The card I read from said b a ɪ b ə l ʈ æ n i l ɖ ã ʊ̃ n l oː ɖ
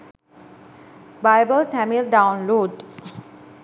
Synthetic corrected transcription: b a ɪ b ə l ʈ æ m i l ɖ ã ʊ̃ n l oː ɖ